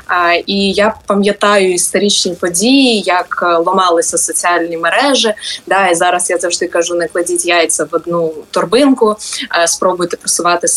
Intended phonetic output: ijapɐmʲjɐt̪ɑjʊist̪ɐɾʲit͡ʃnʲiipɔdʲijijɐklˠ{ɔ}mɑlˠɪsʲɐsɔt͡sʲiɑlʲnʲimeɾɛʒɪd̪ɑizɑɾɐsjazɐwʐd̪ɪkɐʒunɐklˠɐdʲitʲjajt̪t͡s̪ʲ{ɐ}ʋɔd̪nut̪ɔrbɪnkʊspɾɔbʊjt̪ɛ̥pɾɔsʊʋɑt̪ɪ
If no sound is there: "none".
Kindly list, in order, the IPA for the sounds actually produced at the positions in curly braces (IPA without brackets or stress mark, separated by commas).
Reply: ɔ, ɐ